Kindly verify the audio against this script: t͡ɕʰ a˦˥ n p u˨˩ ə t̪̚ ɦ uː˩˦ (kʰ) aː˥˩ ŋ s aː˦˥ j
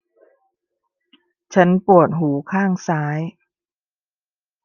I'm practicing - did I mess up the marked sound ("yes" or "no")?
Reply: no